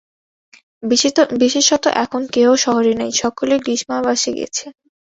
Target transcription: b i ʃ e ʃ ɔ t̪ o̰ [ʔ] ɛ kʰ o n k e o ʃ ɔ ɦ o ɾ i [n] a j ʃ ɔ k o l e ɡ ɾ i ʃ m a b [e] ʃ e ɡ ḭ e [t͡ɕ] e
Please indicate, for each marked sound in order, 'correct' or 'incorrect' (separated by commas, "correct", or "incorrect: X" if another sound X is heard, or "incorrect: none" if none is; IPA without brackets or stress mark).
correct, correct, incorrect: a, incorrect: t͡ɕʰ